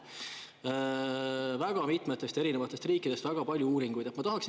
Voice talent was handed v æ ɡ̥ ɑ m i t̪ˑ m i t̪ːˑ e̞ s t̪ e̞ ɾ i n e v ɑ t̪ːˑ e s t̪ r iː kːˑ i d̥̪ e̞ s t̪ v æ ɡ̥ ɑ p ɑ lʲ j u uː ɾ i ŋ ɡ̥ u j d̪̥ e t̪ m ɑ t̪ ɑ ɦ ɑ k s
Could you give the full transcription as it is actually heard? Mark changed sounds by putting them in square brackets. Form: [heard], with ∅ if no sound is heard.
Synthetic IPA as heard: v æ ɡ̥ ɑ m i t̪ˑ m [e] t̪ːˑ e̞ s t̪ e̞ ɾ i n e v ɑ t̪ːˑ e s t̪ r iː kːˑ i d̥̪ e̞ s t̪ v æ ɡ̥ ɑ p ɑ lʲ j u uː ɾ i ŋ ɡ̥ u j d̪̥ e t̪ m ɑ t̪ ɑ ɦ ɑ k s